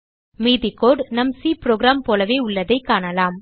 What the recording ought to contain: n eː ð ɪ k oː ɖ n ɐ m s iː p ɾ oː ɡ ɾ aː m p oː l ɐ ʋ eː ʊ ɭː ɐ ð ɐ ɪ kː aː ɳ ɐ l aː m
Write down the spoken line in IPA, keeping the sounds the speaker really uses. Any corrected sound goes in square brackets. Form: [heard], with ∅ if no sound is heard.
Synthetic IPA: [m] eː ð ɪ k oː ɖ n ɐ m s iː p ɾ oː ɡ ɾ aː m p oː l ɐ ʋ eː ʊ ɭː ɐ ð ɐ ɪ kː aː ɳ ɐ l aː m

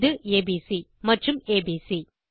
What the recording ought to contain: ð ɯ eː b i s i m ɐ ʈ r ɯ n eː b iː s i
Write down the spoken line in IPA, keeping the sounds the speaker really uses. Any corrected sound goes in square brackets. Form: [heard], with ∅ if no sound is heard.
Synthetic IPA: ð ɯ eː b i s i m ɐ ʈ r ɯ [m] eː b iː s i

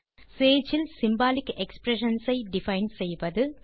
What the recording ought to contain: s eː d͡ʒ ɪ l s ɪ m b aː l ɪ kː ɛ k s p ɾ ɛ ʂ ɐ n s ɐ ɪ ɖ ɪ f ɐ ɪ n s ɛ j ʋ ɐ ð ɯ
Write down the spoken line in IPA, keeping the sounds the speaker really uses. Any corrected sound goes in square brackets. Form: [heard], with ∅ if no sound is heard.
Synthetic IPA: s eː d͡ʒ ɪ l s ɪ m b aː l ɪ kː ɛ k s p ɾ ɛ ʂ ɐ n s ɐ ɪ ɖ ɪ f ɐ ɪ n s ɛ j ʋ ɐ ð ɯ

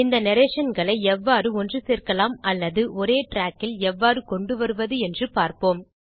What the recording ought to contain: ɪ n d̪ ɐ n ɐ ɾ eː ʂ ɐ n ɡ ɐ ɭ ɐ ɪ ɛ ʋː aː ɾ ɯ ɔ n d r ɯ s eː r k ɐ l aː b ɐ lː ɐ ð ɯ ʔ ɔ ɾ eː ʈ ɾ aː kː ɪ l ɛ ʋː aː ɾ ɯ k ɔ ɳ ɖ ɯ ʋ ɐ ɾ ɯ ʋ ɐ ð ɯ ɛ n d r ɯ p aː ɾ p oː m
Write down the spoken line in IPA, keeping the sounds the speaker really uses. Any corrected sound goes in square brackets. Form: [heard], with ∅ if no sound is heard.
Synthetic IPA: ɪ n d̪ ɐ n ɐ ɾ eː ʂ ɐ n ɡ ɐ ɭ ɐ ɪ ɛ ʋː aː ɾ ɯ ɔ n d r ɯ s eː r k ɐ l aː [m] ɐ lː ɐ ð ɯ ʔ ɔ ɾ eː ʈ ɾ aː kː ɪ l ɛ ʋː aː ɾ ɯ k ɔ ɳ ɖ ɯ ʋ ɐ ɾ ɯ ʋ ɐ ð ɯ ɛ n d r ɯ p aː ɾ p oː m

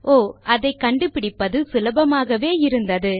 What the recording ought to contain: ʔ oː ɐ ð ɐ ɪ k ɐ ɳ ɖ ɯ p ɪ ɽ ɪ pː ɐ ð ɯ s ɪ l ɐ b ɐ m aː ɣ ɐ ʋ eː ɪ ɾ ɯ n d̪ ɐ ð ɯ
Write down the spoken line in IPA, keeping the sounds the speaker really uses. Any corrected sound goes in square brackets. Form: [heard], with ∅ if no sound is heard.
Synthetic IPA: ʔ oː ɐ ð ɐ ɪ k ɐ ɳ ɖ ɯ p ɪ ɽ ɪ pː ɐ ð ɯ s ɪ l ɐ b ɐ m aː ɣ ɐ ʋ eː ɪ ɾ ɯ n d̪ ɐ ð ɯ

